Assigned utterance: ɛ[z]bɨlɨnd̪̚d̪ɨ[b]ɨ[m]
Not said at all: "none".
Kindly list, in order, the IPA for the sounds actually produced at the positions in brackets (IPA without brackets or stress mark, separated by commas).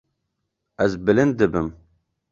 z, b, m